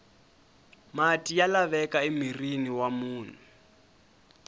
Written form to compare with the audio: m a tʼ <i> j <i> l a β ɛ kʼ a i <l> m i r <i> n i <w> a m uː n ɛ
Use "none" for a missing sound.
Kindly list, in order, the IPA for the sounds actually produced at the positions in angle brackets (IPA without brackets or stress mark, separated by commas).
i, a, none, i, w